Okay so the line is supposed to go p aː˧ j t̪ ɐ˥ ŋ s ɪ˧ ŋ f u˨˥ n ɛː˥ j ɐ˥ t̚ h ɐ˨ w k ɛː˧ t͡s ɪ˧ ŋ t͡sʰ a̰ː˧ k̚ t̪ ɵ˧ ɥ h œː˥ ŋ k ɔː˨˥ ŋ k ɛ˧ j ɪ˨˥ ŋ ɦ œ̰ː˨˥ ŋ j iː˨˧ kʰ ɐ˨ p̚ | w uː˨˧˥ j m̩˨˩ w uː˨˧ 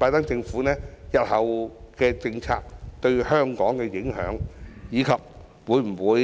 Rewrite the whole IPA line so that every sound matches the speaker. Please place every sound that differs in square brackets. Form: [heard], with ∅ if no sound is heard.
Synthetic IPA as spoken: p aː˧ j t̪ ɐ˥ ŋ [t͡s] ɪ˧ ŋ f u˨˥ n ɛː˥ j [ɐ˨] t̚ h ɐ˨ w k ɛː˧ t͡s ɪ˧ ŋ t͡sʰ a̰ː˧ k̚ t̪ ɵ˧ ɥ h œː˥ ŋ k ɔː˨˥ ŋ k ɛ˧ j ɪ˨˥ ŋ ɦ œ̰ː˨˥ ŋ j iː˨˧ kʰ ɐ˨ p̚ | w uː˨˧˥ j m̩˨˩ w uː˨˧